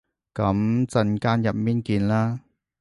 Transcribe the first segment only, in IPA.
k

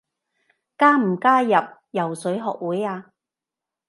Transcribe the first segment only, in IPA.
k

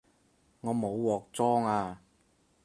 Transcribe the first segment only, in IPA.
ŋ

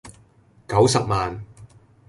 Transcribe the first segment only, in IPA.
k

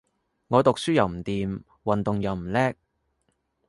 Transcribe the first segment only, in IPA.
ŋ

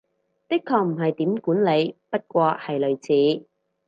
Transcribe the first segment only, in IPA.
t̪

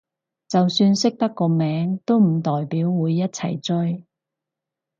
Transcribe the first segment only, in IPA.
t͡s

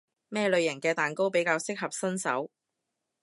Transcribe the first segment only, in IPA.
m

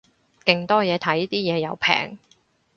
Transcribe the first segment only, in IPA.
k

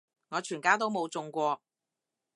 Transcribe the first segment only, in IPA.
ŋ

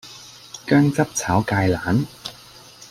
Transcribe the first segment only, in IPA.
k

